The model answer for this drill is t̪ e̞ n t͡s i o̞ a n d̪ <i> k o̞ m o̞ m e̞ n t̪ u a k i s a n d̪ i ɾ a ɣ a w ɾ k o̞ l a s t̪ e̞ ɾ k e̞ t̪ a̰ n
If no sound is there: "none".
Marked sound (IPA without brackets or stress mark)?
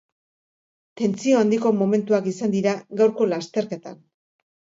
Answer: i